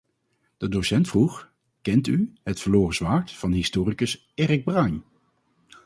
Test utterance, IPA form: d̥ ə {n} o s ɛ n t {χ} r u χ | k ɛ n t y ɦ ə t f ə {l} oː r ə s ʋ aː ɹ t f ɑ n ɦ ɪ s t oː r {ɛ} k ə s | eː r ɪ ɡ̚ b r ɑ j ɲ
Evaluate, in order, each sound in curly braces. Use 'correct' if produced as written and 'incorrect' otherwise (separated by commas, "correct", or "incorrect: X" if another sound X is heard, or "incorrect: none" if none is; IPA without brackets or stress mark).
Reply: incorrect: d, incorrect: f, correct, incorrect: i